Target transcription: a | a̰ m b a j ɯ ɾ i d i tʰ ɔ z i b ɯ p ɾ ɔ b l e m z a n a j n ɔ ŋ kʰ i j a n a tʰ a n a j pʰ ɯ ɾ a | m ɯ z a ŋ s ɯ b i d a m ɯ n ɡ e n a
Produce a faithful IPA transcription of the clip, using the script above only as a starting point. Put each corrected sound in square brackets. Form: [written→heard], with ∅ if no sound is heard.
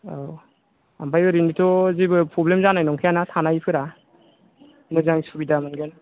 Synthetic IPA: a | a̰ m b a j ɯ ɾ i [d→n] i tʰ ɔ z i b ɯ p ɾ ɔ b l e m z a n a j n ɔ ŋ kʰ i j a n a tʰ a n a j pʰ ɯ ɾ a | m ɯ z a ŋ s [ɯ→u] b i d a m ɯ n ɡ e n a